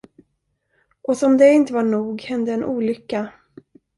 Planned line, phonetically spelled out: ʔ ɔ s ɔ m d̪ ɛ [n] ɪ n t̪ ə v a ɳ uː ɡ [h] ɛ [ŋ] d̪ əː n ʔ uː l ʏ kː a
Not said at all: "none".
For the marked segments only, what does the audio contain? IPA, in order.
none, h, n

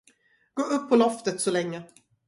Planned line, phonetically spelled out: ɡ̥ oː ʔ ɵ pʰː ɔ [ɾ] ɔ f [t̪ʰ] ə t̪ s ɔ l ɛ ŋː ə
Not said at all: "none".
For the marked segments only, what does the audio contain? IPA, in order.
l, t̪

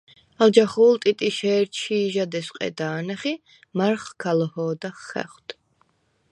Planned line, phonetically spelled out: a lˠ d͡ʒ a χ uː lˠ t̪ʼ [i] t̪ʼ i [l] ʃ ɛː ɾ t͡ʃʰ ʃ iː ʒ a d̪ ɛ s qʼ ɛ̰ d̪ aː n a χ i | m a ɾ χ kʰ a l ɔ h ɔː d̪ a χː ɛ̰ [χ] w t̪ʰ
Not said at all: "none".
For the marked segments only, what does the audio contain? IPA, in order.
i, none, χ

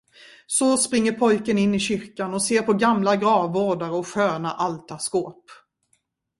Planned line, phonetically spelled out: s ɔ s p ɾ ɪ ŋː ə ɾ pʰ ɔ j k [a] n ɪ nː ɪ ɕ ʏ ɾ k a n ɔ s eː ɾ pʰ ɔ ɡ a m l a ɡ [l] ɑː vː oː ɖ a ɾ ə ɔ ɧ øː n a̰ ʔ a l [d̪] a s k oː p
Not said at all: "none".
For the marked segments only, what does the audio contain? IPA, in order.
ə, ɾ, t̪

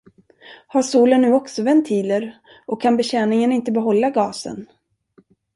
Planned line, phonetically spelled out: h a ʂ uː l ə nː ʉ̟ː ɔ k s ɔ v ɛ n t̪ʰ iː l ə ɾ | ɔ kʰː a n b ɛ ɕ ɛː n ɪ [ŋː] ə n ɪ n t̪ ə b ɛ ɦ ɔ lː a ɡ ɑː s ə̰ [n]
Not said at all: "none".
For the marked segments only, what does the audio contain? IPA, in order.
ŋ, n

